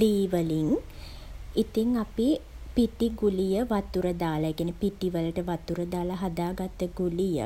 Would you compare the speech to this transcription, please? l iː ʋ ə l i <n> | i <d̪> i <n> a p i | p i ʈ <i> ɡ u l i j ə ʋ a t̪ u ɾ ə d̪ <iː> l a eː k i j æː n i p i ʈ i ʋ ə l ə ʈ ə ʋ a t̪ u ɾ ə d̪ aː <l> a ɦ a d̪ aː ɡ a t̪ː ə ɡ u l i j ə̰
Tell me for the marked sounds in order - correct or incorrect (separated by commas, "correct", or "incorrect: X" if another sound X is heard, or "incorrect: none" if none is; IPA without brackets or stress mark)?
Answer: incorrect: ŋ, incorrect: t̪, incorrect: ŋ, correct, incorrect: aː, correct